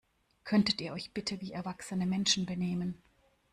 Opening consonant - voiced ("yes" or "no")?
no